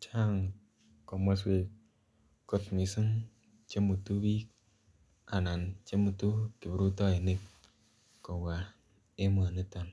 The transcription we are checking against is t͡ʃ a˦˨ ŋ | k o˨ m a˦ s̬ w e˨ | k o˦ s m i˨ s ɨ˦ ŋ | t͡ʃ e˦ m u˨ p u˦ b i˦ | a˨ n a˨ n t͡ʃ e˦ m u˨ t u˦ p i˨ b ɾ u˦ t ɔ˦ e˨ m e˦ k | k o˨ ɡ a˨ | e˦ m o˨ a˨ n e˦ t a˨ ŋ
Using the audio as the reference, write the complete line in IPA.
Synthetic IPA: t͡ʃ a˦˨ ŋ | k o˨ m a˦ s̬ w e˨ | k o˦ t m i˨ s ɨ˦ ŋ | t͡ʃ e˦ m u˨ t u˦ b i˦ | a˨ n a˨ n t͡ʃ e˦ m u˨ t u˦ k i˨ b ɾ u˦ t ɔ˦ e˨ n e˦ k | k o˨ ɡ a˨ | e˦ m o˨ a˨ n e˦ t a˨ n